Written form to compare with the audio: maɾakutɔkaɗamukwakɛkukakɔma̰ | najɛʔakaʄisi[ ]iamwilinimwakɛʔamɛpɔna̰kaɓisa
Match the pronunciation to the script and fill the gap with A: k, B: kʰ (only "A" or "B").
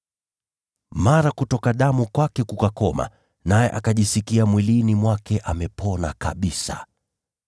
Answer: A